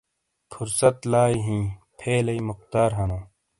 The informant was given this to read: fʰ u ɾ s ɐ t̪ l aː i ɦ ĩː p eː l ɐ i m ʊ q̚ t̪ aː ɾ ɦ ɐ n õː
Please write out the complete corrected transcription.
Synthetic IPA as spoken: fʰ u ɾ s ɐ t̪ l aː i ɦ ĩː pʰ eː l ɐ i m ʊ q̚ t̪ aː ɾ ɦ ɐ n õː